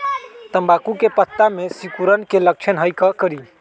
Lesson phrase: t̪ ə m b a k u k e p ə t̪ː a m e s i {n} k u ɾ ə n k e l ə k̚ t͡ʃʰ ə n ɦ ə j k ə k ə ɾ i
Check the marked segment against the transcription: incorrect: none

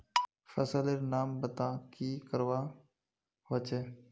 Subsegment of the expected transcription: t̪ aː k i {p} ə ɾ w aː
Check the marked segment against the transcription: incorrect: k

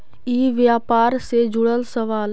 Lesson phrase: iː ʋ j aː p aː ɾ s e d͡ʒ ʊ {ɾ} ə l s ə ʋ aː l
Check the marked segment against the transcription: incorrect: ɽ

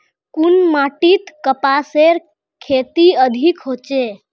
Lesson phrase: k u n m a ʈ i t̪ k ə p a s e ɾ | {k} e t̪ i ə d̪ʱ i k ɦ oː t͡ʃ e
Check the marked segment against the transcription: incorrect: kʰ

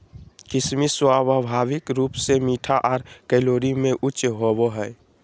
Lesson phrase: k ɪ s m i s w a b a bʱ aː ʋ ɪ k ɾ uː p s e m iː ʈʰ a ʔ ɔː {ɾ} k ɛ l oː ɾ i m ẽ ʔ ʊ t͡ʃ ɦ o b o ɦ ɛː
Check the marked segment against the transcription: correct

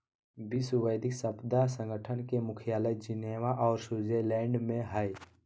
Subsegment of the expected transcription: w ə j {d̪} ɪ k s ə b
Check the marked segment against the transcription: correct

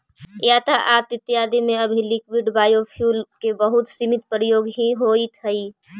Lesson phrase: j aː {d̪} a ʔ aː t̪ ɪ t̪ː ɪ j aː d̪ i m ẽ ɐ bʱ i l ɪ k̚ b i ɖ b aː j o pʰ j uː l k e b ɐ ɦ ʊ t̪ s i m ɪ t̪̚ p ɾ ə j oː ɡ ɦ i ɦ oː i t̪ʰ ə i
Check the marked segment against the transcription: incorrect: t̪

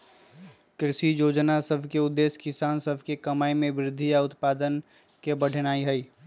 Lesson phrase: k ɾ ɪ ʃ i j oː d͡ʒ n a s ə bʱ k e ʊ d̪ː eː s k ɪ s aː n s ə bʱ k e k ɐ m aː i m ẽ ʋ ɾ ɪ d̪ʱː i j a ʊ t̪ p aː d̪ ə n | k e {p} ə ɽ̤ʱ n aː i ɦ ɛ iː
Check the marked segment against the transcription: incorrect: b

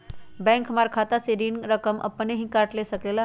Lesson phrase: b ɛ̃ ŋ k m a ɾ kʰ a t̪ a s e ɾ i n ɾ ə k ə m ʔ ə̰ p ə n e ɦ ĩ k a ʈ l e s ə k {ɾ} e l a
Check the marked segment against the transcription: incorrect: l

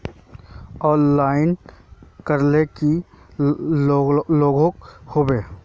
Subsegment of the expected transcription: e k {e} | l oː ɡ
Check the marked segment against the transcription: incorrect: i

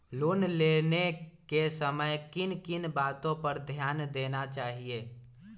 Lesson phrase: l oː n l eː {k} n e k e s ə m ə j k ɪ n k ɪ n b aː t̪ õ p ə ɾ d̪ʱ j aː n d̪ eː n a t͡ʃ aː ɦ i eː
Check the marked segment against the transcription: incorrect: none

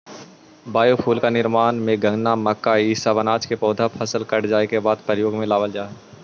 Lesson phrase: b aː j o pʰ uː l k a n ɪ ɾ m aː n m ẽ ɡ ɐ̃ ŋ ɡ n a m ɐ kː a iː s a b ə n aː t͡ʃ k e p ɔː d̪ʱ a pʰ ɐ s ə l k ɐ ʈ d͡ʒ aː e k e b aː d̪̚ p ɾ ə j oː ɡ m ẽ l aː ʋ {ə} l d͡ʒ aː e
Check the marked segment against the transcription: correct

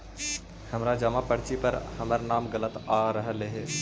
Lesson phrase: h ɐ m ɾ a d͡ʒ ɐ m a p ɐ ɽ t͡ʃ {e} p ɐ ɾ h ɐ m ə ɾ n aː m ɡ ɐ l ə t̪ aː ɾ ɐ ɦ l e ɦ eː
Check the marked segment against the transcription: incorrect: i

